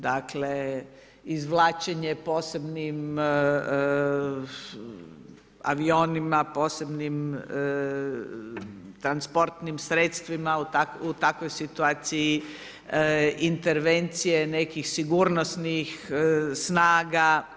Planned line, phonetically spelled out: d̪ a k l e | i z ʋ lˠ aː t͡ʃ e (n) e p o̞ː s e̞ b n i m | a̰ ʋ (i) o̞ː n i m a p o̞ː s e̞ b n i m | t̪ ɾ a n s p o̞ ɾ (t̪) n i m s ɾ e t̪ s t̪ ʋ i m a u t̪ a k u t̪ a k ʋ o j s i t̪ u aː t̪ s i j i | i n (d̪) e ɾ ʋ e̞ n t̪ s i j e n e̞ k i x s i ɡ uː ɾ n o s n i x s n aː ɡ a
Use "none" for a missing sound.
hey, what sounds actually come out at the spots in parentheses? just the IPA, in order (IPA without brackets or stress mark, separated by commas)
ɲ, i, t̪, t̪